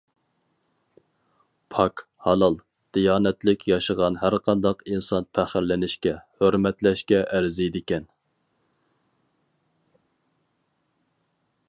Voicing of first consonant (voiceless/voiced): voiceless